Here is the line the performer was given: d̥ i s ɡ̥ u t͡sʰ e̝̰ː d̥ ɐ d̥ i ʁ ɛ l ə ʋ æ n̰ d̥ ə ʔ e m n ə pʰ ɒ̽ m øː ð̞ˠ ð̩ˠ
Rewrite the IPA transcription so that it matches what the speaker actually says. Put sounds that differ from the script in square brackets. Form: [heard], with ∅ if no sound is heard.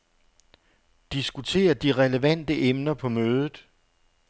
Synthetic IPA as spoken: d̥ i s ɡ̥ u t͡sʰ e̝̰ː [∅] ɐ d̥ i ʁ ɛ l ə ʋ æ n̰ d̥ ə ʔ e m n [ɐ] pʰ ɒ̽ m øː ð̞ˠ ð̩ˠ

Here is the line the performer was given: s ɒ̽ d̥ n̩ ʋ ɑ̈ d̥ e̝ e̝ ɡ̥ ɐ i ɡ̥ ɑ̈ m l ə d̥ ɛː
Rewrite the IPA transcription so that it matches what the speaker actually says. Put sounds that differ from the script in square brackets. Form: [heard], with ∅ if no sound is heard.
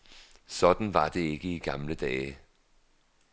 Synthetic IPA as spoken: s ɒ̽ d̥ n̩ ʋ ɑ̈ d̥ e̝ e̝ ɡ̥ [ə] i ɡ̥ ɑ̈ m l ə d̥ ɛː

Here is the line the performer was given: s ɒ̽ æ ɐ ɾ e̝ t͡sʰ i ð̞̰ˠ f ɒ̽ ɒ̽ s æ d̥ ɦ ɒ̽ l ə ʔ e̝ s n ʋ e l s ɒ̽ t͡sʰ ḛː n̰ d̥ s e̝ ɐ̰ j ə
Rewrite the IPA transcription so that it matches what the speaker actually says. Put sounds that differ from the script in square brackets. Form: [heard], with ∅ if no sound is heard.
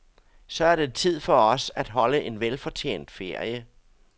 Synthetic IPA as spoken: s ɒ̽ æ ɐ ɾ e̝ t͡sʰ i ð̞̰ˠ f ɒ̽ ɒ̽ s æ d̥ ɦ ɒ̽ l ə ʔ e̝ [∅] n ʋ e l [f] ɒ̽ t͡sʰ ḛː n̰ d̥ [f] e̝ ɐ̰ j ə

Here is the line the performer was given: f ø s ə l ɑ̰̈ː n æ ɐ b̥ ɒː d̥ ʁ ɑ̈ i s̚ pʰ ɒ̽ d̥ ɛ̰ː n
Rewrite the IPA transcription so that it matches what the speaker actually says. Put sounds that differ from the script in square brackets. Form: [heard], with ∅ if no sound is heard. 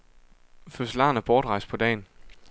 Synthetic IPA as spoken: f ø s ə l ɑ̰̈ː n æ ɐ b̥ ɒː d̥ ʁ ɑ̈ [ɪ] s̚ pʰ ɒ̽ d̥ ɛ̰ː n

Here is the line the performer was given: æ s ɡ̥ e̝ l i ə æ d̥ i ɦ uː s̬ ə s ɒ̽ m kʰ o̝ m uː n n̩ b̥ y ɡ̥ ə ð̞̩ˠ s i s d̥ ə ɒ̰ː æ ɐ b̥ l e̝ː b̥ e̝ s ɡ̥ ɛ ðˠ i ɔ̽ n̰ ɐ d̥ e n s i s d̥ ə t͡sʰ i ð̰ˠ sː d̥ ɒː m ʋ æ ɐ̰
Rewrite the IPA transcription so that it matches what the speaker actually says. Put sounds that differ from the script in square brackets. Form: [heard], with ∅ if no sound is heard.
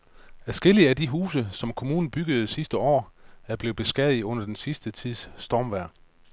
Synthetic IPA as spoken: æ s ɡ̥ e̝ l i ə æ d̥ i ɦ uː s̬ ə s ɒ̽ m kʰ o̝ m uː n n̩ b̥ y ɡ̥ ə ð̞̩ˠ s i s d̥ ə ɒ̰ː æ ɐ b̥ l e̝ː b̥ e̝ s ɡ̥ ɛ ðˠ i ɔ̽ n̰ ɐ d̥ e n s i s d̥ ə t͡sʰ i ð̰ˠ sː d̥ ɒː m ʋ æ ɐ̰

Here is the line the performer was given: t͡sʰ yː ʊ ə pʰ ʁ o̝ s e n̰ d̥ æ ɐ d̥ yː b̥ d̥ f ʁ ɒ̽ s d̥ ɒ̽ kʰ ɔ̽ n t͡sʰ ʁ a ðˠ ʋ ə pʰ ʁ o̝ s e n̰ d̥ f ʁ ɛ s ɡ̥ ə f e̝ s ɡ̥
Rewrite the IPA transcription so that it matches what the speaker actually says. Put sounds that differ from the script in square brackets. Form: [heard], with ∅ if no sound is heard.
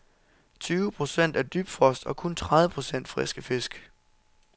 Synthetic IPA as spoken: t͡sʰ yː ʊ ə pʰ ʁ o̝ s e n̰ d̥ æ ɐ d̥ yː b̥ d̥ f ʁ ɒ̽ s d̥ ɒ̽ kʰ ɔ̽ n t͡sʰ ʁ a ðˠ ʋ ə pʰ ʁ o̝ s e n̰ d̥ f ʁ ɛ s ɡ̥ ə f e̝ s ɡ̥

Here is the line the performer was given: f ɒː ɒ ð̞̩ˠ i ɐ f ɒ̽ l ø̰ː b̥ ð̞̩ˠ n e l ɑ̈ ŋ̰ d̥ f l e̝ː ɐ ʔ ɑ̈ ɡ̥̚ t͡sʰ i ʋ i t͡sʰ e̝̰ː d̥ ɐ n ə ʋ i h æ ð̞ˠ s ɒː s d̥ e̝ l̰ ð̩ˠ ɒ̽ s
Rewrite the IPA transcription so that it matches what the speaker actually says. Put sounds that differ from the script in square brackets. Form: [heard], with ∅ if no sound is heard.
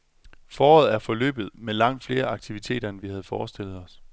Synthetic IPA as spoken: f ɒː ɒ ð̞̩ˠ [æ] ɐ f ɒ̽ l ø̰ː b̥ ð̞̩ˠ [m] e l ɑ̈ ŋ̰ d̥ f l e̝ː ɐ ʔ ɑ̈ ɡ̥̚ t͡sʰ i ʋ i t͡sʰ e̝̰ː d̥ ɐ n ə ʋ i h æ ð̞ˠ [f] ɒː s d̥ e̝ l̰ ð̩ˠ ɒ̽ s

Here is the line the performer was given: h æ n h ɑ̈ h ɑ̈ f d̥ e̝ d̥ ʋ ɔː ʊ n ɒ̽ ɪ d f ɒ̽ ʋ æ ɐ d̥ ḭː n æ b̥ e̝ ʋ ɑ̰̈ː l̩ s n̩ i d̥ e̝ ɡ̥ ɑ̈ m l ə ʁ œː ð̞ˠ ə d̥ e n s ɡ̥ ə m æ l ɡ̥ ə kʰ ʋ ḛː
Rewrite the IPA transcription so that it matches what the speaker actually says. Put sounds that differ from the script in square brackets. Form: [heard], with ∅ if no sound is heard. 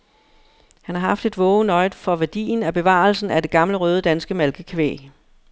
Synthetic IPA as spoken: h æ n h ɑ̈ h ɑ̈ f d̥ e̝ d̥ ʋ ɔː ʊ n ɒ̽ ɪ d f ɒ̽ ʋ æ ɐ d̥ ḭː n æ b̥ e̝ ʋ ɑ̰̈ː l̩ s n̩ [æ] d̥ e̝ ɡ̥ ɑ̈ m l ə ʁ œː ð̞ˠ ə d̥ [æ] n s ɡ̥ ə m æ l ɡ̥ ə kʰ ʋ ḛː

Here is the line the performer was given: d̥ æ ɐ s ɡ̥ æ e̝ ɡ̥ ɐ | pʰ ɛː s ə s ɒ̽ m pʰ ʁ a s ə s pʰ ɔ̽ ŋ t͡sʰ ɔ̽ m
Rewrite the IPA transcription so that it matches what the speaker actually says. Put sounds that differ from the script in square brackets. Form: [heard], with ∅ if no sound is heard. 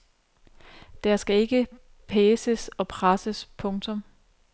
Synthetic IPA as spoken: d̥ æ ɐ s ɡ̥ æ e̝ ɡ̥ [ə] | pʰ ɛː s ə s ɒ̽ [∅] pʰ ʁ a s ə s pʰ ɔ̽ ŋ t͡sʰ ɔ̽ m

